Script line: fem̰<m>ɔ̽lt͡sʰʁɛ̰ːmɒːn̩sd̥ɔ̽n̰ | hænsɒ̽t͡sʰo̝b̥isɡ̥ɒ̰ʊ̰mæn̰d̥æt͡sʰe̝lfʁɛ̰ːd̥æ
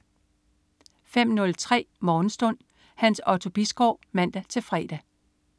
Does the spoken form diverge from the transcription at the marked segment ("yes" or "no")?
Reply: yes